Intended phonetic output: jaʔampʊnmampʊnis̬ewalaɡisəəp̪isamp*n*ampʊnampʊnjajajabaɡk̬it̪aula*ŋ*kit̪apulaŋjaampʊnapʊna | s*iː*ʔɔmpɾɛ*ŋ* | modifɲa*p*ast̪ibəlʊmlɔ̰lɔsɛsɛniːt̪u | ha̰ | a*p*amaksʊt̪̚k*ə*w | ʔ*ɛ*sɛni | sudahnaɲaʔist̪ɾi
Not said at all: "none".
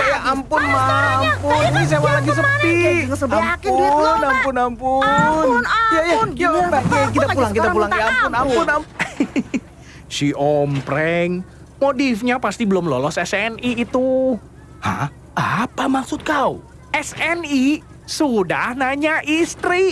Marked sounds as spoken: n, ŋ, i, ŋ, p, p, a, ɛ

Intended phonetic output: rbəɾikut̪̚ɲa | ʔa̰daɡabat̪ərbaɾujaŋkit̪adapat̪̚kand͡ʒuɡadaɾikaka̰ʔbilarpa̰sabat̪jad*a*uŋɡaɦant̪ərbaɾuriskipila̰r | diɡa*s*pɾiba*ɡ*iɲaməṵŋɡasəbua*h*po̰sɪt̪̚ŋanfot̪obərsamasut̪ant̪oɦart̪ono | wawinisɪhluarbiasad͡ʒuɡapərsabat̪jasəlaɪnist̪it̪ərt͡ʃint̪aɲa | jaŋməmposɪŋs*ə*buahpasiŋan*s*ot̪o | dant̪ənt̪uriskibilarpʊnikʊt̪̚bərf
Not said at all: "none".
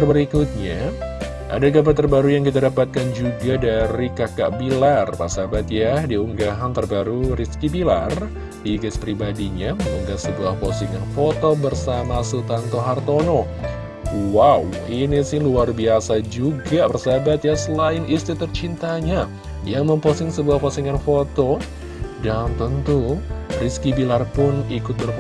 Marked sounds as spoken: i, s, d, h, ə, f

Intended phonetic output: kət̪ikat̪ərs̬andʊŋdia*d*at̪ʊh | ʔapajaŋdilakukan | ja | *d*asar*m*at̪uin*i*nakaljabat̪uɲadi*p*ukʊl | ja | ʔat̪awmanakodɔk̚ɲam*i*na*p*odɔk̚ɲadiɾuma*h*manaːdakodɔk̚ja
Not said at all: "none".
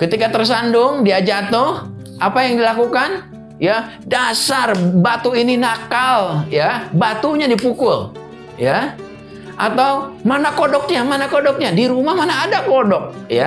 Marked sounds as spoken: d͡ʒ, d, b, i, p, a, k, h

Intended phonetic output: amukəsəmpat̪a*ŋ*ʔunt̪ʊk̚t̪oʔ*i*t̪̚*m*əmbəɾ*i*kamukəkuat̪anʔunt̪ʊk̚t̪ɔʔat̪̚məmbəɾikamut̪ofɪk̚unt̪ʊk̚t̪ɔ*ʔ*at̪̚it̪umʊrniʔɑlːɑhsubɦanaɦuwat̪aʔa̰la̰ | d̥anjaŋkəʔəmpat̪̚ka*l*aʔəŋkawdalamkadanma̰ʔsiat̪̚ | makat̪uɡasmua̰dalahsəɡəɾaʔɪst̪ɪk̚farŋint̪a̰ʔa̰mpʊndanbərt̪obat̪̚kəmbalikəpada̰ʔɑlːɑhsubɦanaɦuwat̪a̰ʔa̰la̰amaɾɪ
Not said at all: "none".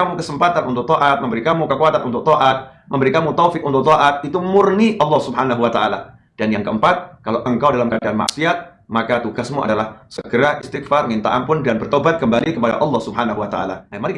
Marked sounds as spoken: n, a, m, i, ʔ, l

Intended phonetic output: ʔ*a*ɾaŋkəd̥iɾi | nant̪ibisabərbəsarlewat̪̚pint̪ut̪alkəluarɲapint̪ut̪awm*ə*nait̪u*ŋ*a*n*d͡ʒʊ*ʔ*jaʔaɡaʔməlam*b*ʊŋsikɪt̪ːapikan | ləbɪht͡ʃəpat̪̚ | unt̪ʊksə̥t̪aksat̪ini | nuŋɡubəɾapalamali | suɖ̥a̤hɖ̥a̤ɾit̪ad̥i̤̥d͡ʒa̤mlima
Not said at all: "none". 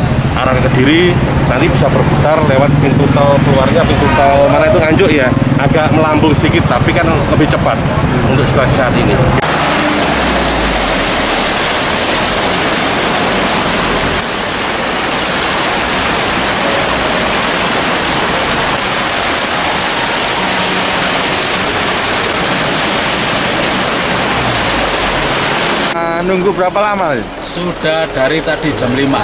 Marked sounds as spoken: a, a, ŋ, ɲ, ʔ, b

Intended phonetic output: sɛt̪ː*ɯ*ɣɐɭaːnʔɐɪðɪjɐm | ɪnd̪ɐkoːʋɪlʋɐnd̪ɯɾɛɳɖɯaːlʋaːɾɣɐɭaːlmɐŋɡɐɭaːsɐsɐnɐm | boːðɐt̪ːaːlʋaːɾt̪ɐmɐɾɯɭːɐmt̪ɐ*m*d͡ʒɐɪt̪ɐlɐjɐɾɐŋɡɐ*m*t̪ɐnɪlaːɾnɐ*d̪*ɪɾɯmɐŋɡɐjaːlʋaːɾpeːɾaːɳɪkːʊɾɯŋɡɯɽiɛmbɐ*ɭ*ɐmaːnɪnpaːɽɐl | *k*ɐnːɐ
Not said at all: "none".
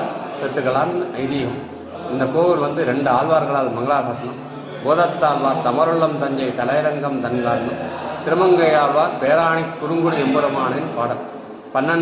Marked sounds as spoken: ɯ, ɲ, m, t̪, ɾ, p

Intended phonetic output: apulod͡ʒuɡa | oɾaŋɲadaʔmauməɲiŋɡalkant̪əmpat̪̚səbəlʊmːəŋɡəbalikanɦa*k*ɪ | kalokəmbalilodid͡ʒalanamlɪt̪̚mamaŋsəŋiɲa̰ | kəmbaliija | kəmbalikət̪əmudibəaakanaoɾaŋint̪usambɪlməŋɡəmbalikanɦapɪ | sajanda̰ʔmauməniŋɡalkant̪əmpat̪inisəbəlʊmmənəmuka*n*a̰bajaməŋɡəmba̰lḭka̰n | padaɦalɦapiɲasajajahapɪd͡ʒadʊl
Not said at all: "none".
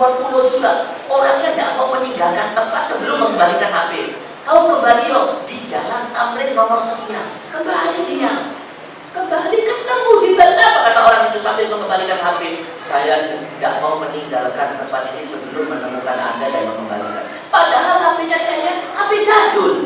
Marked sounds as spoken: p, n

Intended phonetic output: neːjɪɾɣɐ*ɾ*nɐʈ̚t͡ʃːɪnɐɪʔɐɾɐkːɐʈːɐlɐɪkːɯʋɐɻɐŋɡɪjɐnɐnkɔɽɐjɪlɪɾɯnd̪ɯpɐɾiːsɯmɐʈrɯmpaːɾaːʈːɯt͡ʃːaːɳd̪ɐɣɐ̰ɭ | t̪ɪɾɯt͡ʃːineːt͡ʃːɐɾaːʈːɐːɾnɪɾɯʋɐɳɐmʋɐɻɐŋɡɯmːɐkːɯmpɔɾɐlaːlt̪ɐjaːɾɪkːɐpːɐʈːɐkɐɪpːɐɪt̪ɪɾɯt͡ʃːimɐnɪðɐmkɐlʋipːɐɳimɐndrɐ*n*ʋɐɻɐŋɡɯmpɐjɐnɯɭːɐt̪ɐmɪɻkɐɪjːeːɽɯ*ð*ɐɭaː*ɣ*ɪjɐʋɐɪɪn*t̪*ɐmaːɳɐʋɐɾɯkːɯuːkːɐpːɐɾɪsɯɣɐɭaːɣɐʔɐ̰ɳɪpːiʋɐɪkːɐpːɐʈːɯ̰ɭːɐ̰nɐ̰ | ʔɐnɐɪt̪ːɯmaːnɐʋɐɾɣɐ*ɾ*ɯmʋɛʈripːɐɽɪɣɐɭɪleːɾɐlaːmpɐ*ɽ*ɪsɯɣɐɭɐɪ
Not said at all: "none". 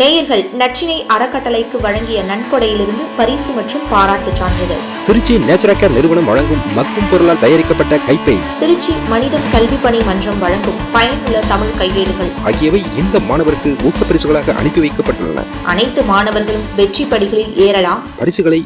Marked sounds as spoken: ɭ, m, ɣ, ɣ, d̪, ɭ, ɾ

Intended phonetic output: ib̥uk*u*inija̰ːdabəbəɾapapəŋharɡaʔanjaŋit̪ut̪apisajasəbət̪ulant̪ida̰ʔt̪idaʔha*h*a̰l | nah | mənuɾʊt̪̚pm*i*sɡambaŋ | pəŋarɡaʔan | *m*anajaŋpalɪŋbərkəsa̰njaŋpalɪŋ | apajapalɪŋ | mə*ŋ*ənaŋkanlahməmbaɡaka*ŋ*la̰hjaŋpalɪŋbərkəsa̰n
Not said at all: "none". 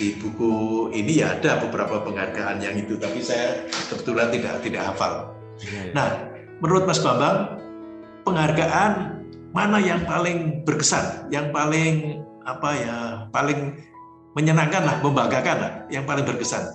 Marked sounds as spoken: u, f, a, m, ɲ, n

